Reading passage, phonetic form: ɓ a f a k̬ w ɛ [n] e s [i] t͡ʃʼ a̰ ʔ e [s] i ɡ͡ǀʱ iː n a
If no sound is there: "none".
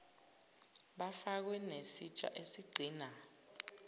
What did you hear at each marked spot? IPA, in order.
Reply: n, i, s

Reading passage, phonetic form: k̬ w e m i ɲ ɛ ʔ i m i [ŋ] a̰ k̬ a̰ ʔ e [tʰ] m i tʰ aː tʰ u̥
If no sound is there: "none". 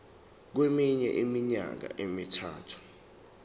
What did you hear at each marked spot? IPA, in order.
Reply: ɲ, none

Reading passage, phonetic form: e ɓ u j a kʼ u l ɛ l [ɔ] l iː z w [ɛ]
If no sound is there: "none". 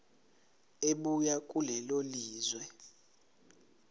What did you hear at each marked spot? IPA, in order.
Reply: o, ɛ

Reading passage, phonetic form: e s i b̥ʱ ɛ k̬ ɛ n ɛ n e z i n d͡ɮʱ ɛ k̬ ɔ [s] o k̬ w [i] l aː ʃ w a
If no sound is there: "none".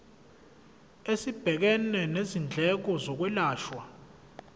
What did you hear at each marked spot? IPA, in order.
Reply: z, ɛ

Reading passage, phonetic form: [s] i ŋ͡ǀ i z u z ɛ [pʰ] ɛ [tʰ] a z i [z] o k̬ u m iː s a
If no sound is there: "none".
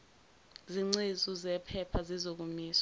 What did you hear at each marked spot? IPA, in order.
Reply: z, pʰ, pʰ, z

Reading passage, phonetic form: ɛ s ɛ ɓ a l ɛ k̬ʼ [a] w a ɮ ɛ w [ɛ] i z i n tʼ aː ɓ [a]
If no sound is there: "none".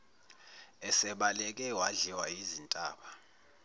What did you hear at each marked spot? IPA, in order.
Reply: ɛ, a, a

